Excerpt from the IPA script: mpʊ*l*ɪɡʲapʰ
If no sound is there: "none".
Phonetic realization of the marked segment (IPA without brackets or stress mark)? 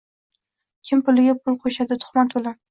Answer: l